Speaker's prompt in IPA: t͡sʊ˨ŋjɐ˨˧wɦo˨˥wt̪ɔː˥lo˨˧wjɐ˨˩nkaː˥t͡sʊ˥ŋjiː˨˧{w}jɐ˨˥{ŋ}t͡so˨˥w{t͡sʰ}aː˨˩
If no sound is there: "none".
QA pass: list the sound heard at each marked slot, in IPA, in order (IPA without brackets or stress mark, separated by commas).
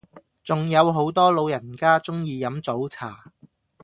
none, m, t͡sʰ